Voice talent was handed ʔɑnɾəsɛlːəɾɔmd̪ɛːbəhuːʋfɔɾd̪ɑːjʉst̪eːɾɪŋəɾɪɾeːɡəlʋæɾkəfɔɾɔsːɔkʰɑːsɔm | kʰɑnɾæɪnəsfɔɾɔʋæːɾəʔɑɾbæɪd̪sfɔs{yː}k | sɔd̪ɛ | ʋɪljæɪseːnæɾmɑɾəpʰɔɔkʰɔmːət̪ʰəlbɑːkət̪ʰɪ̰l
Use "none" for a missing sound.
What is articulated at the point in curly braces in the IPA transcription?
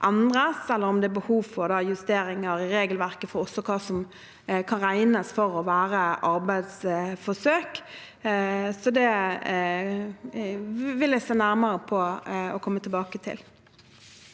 øː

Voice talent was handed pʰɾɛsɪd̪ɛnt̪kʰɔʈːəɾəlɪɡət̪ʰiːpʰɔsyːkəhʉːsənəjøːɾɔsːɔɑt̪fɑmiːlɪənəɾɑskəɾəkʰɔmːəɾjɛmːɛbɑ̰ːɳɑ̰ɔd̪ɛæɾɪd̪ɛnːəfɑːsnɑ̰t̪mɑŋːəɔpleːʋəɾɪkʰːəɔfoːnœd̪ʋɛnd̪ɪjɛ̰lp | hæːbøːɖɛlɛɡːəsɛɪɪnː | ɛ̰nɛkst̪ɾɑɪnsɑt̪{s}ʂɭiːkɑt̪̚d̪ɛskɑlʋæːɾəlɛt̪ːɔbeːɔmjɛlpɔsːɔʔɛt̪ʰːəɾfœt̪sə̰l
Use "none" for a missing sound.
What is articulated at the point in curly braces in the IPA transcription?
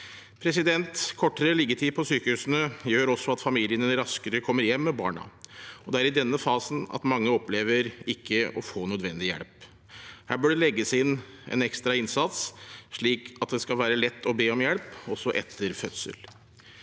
s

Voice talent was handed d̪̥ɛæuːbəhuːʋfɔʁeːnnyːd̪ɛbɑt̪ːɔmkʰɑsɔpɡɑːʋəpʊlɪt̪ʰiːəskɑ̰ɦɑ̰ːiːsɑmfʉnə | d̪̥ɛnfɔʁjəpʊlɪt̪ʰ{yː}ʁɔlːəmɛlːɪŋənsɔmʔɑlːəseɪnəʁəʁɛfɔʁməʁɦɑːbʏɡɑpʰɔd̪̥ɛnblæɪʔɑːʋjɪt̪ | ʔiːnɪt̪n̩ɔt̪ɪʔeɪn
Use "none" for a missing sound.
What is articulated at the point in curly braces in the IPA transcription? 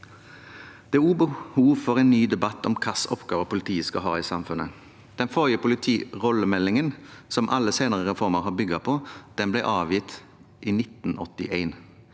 iː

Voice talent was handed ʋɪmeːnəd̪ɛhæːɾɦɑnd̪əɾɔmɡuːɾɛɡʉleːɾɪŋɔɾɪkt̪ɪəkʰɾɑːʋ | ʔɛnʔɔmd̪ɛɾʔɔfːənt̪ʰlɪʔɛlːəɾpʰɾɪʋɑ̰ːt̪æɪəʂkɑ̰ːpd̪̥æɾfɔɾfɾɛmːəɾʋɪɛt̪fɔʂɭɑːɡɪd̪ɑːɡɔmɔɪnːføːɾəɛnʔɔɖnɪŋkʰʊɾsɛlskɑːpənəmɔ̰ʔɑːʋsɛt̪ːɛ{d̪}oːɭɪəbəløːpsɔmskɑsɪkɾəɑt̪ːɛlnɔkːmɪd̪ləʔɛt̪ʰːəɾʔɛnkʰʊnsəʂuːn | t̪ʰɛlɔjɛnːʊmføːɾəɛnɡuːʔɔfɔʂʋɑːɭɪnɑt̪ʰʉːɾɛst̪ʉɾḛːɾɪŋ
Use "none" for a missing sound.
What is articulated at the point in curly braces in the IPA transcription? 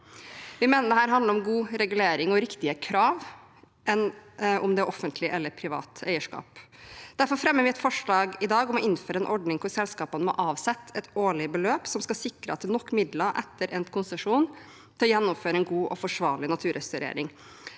t̪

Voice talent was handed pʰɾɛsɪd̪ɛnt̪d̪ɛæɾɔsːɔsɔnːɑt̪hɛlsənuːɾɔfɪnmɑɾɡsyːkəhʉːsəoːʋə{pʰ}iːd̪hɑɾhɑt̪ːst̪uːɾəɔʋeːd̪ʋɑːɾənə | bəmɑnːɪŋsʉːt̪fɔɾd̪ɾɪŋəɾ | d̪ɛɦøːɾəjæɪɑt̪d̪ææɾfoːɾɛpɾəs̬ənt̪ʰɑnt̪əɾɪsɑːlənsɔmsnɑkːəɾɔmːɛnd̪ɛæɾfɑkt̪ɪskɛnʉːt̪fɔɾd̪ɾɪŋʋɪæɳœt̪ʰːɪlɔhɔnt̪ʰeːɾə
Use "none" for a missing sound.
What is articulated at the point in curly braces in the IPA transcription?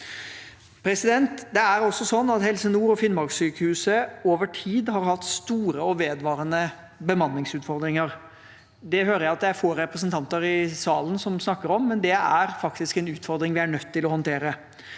ʈʰ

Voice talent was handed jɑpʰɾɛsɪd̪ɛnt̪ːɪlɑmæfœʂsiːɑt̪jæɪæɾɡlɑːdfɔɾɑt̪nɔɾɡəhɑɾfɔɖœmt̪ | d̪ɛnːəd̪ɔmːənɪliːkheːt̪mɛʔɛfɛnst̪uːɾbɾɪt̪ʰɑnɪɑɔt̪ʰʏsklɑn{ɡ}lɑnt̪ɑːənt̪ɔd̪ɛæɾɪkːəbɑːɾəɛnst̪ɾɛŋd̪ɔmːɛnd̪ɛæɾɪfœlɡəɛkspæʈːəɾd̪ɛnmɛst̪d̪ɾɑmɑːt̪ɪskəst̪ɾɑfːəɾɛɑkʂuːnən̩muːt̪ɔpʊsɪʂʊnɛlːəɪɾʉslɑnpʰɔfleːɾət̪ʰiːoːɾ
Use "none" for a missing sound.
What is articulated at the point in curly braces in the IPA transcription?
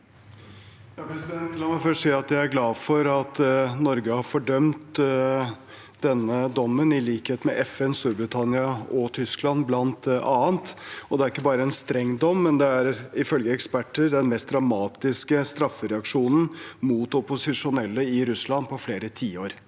b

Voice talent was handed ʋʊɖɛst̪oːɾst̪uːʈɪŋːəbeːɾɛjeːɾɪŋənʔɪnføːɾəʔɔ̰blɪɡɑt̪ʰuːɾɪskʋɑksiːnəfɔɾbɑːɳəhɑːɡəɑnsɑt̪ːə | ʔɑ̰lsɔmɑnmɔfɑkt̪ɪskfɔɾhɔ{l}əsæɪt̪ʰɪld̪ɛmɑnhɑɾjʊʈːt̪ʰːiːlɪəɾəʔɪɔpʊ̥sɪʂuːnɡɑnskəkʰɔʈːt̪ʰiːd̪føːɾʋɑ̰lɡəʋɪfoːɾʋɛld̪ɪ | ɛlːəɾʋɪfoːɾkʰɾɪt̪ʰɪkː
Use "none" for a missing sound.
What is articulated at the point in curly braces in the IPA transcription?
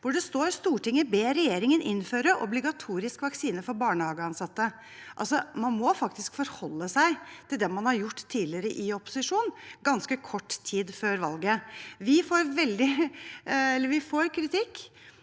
lː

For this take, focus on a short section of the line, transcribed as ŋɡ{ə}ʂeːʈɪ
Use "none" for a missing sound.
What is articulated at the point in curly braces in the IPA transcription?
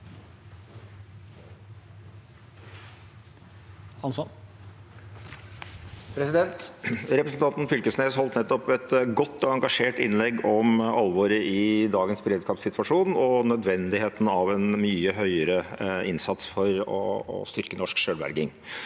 ɑ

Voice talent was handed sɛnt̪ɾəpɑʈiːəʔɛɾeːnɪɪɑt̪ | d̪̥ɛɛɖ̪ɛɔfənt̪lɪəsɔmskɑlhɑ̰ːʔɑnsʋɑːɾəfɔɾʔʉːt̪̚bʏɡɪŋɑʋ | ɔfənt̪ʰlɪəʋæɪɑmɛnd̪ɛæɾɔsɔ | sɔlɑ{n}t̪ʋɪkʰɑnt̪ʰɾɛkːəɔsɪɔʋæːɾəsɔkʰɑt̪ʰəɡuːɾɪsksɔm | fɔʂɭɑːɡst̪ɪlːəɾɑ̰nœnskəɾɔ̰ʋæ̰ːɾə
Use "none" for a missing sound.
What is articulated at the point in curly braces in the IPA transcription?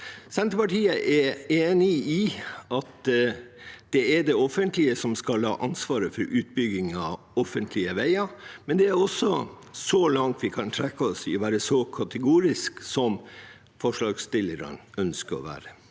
ŋ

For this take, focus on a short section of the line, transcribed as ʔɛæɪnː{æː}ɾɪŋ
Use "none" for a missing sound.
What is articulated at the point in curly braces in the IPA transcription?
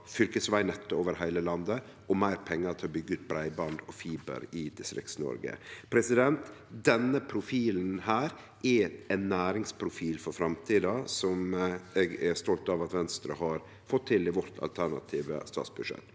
æː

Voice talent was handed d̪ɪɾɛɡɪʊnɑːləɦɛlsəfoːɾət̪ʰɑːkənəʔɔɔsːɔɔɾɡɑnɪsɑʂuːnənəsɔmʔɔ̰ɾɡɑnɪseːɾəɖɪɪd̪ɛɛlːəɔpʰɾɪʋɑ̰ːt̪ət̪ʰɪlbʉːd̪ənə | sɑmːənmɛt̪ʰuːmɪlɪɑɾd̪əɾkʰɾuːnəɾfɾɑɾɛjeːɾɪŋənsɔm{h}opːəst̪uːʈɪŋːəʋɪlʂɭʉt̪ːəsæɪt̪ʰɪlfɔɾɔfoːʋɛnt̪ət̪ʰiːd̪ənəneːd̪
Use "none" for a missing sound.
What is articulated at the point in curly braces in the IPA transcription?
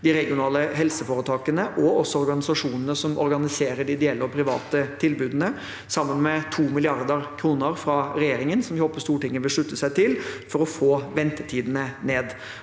h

